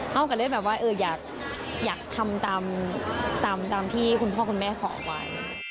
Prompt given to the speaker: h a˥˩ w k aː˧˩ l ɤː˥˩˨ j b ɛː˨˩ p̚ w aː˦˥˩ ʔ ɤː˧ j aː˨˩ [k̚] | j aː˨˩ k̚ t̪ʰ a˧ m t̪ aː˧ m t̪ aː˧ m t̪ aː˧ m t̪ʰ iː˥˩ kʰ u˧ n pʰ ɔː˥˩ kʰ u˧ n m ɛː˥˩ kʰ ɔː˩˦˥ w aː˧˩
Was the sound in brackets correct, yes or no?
yes